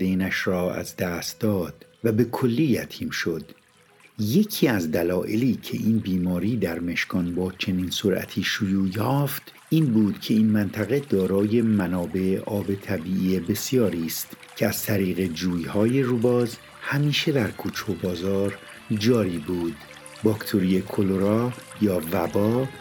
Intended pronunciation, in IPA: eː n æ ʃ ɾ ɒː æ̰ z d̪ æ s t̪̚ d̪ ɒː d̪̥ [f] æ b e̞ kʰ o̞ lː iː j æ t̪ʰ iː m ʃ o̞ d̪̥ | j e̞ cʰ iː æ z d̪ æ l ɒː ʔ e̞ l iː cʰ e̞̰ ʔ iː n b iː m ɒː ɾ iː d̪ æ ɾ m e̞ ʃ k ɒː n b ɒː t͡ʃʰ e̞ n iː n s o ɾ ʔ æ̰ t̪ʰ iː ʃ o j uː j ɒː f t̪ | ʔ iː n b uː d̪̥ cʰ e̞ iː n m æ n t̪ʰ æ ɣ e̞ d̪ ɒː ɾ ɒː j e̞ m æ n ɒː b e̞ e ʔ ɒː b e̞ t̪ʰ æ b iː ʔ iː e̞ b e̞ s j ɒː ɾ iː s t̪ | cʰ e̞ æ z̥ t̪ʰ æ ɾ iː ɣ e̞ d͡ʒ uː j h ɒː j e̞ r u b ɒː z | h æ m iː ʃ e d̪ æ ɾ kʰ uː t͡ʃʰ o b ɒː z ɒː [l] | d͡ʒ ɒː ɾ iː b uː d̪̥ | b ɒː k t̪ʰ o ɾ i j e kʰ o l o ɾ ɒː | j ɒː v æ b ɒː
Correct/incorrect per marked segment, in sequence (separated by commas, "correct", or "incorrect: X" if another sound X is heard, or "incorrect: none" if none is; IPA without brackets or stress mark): incorrect: v, incorrect: ɾ